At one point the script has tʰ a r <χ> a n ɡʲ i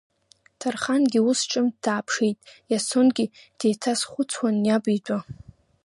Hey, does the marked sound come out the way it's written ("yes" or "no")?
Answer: yes